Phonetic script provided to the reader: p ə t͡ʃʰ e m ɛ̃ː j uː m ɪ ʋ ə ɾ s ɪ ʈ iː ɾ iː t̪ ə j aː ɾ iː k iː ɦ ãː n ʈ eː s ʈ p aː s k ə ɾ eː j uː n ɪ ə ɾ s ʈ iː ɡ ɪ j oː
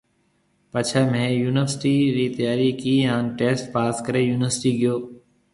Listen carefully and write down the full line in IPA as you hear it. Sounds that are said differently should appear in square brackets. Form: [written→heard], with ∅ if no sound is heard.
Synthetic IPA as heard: p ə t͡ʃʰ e m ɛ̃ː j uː [m→n] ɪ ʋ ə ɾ s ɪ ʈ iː ɾ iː t̪ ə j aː ɾ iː k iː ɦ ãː n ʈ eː s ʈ p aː s k ə ɾ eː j uː n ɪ ə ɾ s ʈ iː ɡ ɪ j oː